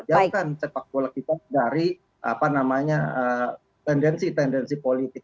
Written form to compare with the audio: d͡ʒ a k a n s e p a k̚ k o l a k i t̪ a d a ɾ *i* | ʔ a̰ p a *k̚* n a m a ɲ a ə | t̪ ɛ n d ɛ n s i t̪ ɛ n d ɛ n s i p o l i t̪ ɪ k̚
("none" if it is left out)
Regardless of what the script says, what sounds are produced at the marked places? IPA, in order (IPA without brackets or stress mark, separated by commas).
i, none